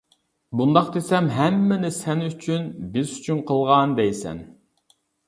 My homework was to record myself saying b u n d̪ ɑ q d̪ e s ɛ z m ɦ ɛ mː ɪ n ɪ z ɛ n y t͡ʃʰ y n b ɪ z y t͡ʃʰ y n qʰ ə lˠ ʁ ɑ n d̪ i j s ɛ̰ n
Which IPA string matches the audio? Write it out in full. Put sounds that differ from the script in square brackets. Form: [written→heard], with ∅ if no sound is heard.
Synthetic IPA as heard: b u n d̪ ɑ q d̪ e s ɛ [z→∅] m ɦ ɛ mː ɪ n ɪ [z→s] ɛ n y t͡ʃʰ y n b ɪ z y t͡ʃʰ y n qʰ ə lˠ ʁ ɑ n d̪ [i→ɛ] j s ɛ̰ n